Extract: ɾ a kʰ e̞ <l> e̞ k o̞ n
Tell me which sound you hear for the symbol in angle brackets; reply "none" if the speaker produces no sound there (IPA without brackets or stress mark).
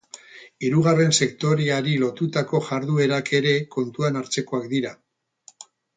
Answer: ɾ